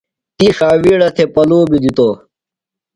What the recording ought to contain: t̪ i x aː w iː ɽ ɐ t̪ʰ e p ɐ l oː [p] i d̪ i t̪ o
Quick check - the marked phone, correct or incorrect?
incorrect